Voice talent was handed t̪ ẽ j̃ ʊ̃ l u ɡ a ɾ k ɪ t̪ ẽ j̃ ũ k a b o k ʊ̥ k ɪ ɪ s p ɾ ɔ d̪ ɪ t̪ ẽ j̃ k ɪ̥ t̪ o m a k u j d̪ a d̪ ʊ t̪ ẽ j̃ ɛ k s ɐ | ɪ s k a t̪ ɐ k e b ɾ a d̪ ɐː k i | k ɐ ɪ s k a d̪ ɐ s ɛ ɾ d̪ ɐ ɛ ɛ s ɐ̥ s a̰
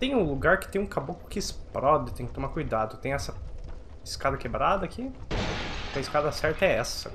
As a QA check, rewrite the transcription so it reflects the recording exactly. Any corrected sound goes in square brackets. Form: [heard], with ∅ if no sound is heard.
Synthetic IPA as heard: t̪ ẽ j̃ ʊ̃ l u ɡ a ɾ k ɪ t̪ ẽ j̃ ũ k a b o k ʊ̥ k ɪ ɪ s p ɾ ɔ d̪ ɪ t̪ ẽ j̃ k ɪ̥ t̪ o m a k u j d̪ a d̪ ʊ t̪ ẽ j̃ ɛ [∅] s ɐ | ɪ s k a [d̪] ɐ k e b ɾ a d̪ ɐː k i | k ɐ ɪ s k a d̪ ɐ s ɛ ɾ [t̪] ɐ ɛ ɛ s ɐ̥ s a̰

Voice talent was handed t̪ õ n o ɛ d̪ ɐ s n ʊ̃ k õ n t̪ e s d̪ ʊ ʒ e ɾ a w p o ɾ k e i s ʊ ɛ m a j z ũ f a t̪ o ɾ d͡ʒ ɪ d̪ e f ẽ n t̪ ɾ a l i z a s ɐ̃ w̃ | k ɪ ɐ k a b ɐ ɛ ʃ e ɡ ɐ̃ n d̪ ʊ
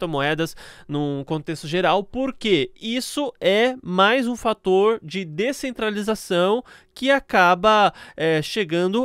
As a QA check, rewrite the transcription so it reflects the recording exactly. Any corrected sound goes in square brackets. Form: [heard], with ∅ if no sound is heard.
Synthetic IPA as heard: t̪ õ [m] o ɛ d̪ ɐ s n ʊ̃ k õ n t̪ e s [t̪] ʊ ʒ e ɾ a w p o ɾ k e i s ʊ ɛ m a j z ũ f a t̪ o ɾ d͡ʒ ɪ d̪ e [s] ẽ n t̪ ɾ a l i z a s ɐ̃ w̃ | k ɪ [a] k a b ɐ ɛ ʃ e ɡ ɐ̃ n d̪ ʊ

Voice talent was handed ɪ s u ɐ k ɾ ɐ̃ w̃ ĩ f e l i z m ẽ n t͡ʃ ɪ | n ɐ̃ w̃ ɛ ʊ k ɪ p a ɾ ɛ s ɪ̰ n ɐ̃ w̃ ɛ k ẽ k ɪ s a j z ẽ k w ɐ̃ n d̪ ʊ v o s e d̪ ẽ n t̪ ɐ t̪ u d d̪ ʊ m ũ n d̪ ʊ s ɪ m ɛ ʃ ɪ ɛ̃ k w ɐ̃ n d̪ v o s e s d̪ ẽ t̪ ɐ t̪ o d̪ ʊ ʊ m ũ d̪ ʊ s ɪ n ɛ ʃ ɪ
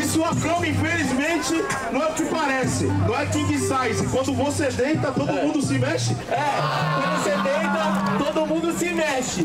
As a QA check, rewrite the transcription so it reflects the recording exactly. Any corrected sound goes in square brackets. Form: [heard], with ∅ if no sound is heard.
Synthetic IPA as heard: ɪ s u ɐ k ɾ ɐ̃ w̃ ĩ f e l i z m ẽ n t͡ʃ ɪ | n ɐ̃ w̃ ɛ ʊ k ɪ p a ɾ ɛ s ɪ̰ n ɐ̃ w̃ ɛ k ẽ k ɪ s a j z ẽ k w ɐ̃ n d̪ ʊ v o s e d̪ ẽ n t̪ ɐ t̪ [o] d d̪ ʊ m ũ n d̪ ʊ s ɪ m ɛ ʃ ɪ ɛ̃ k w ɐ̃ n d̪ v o s e [∅] d̪ ẽ t̪ ɐ t̪ o d̪ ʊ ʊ m ũ d̪ ʊ s ɪ [m] ɛ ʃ ɪ

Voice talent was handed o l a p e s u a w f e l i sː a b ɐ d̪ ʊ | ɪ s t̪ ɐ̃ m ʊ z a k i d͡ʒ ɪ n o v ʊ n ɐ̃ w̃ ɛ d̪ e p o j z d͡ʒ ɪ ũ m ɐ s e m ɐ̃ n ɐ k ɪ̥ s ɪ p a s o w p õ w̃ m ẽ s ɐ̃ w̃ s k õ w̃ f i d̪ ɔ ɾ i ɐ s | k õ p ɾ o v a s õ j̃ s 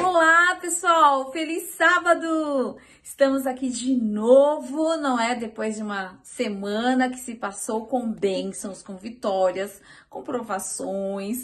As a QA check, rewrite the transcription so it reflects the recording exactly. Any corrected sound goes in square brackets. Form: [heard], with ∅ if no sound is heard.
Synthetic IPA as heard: o l a p e s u a w f e l i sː a b ɐ d̪ ʊ | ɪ s t̪ ɐ̃ m ʊ z a k i d͡ʒ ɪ n o v ʊ n ɐ̃ w̃ ɛ d̪ e p o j z d͡ʒ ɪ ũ m ɐ s e m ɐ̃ n ɐ k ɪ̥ s ɪ p a s o w [k] õ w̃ [b] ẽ s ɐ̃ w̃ s k õ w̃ [v] i [t̪] ɔ ɾ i ɐ s | k õ p ɾ o v a s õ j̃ s

